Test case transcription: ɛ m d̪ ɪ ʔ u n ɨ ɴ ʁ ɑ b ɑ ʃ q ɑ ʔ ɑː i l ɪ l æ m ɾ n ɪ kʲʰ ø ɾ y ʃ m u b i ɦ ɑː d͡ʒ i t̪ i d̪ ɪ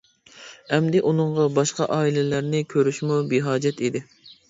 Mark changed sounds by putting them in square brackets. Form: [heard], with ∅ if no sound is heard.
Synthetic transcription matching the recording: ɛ m d̪ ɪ ʔ u n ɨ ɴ ʁ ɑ b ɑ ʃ q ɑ ʔ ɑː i l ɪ l æ [∅] ɾ n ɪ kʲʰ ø ɾ y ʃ m u b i ɦ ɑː d͡ʒ [ɛ] t̪ i d̪ ɪ